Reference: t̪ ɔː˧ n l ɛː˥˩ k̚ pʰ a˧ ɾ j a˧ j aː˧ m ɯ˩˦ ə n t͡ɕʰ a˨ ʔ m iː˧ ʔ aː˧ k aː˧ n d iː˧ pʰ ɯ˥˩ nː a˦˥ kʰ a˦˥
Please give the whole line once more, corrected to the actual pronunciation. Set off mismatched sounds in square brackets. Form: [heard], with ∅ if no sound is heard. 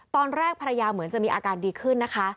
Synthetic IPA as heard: t̪ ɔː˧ n [ɾ] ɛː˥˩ k̚ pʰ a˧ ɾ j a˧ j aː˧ m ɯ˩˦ ə n [t͡ɕ] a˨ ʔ m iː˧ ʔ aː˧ k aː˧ n d iː˧ [kʰ] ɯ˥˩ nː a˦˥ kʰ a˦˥